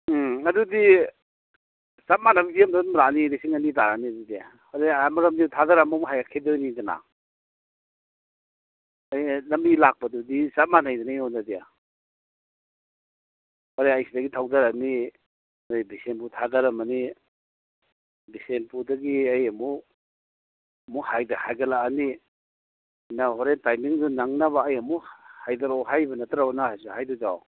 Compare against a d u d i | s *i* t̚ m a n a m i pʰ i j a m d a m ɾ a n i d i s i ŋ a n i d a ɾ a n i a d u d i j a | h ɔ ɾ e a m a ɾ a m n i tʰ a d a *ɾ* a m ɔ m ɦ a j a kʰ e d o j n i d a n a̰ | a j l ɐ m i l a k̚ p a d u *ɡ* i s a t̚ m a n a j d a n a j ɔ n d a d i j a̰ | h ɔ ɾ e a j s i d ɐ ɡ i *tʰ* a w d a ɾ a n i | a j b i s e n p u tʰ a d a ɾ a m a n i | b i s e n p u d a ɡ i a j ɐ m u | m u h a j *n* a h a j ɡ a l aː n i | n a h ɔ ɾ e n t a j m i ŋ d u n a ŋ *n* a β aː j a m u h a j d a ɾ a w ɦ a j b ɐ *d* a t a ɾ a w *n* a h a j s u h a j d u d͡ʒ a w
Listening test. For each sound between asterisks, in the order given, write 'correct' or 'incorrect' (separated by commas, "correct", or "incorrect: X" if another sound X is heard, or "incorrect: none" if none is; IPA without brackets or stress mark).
incorrect: a, correct, incorrect: d, correct, incorrect: d, correct, incorrect: n, correct